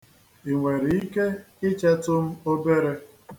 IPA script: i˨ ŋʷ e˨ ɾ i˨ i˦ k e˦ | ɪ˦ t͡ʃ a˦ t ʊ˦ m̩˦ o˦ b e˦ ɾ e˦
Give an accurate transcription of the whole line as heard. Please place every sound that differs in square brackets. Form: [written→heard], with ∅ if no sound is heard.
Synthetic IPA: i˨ ŋʷ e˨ ɾ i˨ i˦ k e˦ | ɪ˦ t͡ʃ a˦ t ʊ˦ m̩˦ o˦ b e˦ ɾ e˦